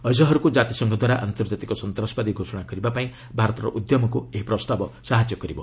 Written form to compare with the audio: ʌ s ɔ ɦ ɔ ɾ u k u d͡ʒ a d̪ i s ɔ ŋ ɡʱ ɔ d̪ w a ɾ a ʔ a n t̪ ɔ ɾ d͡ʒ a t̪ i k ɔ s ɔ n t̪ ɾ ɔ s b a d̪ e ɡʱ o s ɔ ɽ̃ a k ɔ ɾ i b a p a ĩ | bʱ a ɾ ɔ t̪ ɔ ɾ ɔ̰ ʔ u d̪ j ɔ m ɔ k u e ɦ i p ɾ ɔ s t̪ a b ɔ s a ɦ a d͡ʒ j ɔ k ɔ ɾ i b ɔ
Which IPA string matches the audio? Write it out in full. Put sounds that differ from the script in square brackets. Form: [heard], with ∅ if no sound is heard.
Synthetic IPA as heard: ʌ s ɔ ɦ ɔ ɾ u k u d͡ʒ a [t̪] i s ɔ ŋ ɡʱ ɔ d̪ w a ɾ a ʔ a n t̪ ɔ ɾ d͡ʒ a t̪ i k ɔ s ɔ n t̪ ɾ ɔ s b a d̪ [i] ɡʱ o s ɔ ɽ̃ a k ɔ ɾ i b a p a ĩ | bʱ a ɾ ɔ t̪ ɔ ɾ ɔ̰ ʔ u d̪ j ɔ m ɔ k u e ɦ i p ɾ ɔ s t̪ a b ɔ s a ɦ a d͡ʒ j ɔ k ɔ ɾ i b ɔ